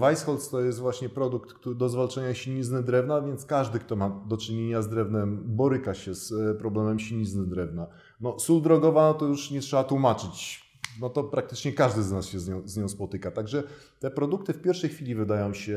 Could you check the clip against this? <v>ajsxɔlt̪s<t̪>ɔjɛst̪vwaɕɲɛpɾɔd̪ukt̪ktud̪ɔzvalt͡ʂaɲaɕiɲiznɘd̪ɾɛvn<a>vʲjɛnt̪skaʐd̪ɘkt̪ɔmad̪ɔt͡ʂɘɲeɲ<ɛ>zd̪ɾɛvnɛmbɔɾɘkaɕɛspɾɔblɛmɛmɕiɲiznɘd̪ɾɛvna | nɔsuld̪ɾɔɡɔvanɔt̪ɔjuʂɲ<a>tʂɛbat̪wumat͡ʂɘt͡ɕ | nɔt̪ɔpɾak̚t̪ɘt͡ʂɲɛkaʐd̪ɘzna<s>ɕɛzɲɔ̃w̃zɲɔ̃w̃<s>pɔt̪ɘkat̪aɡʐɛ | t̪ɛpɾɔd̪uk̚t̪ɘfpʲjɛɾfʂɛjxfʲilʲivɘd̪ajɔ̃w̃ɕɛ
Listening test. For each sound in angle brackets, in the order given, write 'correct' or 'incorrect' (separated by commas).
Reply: correct, correct, correct, incorrect, incorrect, correct, correct